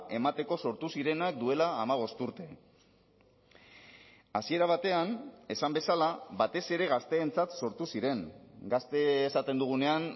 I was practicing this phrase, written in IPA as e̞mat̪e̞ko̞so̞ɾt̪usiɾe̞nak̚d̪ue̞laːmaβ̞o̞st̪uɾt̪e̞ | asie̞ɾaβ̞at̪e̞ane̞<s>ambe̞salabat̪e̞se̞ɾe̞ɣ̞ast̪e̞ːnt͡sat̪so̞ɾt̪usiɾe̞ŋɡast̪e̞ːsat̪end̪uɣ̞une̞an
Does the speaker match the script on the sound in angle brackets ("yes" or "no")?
yes